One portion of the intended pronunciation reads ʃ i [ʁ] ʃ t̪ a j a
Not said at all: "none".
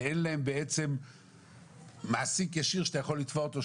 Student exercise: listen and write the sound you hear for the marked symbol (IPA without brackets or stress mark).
ʁ